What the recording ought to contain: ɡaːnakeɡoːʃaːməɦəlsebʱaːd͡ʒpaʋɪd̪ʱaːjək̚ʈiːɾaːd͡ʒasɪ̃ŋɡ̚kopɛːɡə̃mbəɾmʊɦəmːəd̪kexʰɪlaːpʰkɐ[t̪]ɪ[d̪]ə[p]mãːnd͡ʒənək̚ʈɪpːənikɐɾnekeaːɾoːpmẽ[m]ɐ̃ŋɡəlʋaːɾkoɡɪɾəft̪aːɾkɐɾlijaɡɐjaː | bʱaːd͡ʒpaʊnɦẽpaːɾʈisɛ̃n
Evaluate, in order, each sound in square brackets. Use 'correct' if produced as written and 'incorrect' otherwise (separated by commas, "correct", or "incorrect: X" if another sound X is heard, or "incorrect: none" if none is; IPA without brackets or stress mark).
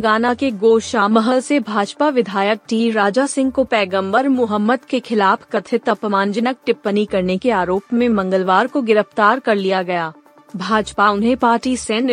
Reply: incorrect: t̪ʰ, incorrect: t̪, correct, correct